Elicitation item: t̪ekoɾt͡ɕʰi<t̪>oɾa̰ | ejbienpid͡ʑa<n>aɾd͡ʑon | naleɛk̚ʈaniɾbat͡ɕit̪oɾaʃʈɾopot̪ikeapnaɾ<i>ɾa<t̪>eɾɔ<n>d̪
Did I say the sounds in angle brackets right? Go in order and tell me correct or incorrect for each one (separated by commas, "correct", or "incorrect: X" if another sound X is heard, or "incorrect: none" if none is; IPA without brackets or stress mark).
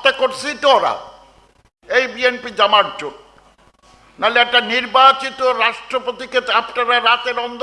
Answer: correct, incorrect: m, incorrect: a, correct, correct